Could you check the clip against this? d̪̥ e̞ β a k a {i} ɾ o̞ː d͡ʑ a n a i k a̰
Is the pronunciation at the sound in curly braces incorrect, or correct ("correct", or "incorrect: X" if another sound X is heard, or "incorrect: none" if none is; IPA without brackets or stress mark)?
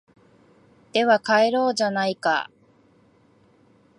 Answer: incorrect: e